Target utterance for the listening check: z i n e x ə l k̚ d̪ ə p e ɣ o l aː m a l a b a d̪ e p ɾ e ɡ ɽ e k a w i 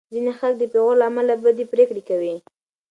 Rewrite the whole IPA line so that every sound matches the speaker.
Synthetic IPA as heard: z i n e x a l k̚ d̪ ə p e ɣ o l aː m a l a b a d̪ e p ɾ e k ɽ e k a w i